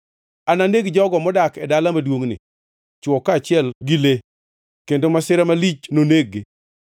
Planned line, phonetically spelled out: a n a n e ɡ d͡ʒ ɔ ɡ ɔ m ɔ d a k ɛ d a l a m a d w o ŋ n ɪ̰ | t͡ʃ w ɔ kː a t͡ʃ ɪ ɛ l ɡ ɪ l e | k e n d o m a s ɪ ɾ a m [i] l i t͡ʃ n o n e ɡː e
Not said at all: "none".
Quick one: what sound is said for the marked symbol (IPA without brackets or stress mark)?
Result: a